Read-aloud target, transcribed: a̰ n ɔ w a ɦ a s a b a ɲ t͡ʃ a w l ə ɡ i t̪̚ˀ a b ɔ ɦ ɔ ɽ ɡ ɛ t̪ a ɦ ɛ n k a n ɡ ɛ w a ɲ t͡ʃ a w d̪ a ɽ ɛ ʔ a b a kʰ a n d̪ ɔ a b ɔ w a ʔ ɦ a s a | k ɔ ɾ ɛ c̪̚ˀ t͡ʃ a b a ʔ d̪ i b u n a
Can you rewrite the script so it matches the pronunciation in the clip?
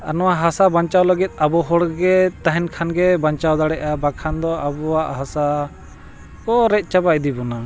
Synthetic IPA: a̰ n ɔ w a ɦ a s a b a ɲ t͡ʃ a w l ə ɡ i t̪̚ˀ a b ɔ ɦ ɔ ɽ ɡ ɛ t̪ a ɦ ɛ n kʰ a n ɡ ɛ b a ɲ t͡ʃ a w d̪ a ɽ ɛ ʔ a b a kʰ a n d̪ ɔ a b ɔ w a ʔ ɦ a s a | k ɔ ɾ ɛ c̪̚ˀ t͡ʃ a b a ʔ d̪ i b ɔ n a